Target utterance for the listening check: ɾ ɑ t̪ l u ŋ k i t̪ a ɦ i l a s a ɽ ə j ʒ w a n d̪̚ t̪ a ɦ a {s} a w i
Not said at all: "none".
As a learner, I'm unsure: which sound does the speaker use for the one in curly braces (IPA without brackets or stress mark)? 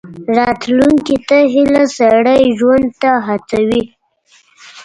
t͡s